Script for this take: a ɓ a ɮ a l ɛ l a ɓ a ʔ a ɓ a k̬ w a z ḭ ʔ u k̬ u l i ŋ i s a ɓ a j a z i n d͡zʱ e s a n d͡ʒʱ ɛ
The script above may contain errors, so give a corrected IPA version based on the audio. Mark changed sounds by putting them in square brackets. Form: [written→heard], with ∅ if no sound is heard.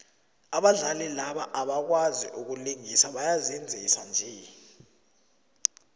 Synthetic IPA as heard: a ɓ a ɮ a l ɛ l a ɓ a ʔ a ɓ a k̬ w a z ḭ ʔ u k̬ u l i ŋ i s a ɓ a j a z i n d͡zʱ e s a n d͡ʒʱ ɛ